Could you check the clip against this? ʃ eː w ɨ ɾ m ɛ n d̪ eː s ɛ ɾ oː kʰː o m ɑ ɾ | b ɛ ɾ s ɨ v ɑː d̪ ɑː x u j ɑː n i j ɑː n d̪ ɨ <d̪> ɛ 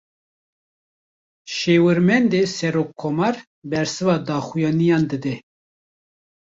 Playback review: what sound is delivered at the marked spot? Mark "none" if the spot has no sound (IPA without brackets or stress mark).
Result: d̪